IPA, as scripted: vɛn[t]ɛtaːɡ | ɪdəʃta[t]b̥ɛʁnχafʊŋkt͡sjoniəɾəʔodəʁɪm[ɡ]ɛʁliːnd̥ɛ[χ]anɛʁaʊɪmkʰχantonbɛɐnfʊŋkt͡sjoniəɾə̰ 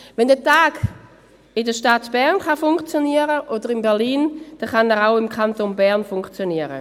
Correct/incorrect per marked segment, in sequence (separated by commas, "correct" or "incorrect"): incorrect, correct, incorrect, correct